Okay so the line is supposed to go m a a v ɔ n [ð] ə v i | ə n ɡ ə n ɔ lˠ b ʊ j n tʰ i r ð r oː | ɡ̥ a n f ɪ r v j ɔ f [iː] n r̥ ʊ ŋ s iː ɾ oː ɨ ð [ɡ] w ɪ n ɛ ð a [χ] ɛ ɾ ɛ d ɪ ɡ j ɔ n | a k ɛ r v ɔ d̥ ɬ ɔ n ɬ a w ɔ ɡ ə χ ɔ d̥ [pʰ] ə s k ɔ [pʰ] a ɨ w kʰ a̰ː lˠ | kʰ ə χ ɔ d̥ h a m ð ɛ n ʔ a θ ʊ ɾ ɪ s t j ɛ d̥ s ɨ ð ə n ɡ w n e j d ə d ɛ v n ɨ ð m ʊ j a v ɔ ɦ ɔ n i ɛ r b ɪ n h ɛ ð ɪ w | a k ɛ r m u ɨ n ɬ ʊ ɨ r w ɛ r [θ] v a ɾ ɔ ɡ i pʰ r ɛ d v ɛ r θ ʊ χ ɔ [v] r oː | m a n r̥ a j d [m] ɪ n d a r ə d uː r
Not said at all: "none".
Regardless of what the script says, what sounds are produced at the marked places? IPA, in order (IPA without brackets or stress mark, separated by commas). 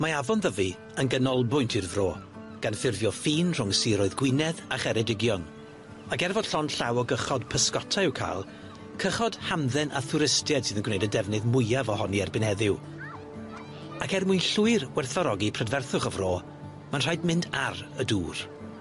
ð, iː, ɡ, χ, pʰ, tʰ, θ, v, m